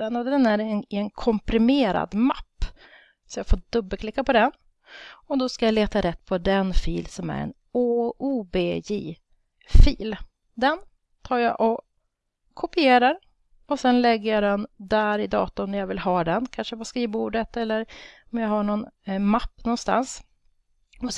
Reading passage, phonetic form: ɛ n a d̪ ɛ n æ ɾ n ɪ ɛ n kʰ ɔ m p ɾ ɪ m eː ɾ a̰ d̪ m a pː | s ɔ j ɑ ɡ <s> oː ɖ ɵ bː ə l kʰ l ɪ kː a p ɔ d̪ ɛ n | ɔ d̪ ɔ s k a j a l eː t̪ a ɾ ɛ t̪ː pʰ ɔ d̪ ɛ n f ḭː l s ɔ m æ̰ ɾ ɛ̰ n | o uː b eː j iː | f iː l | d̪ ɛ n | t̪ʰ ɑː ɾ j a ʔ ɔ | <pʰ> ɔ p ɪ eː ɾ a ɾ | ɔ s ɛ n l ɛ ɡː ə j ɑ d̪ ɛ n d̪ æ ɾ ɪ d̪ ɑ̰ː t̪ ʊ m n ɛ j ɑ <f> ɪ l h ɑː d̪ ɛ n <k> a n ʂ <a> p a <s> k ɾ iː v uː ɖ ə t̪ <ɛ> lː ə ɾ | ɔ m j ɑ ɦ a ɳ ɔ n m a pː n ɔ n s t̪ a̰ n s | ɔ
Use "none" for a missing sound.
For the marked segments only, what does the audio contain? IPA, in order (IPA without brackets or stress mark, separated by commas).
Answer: f, kʰ, v, kʰ, ə, s, ɛ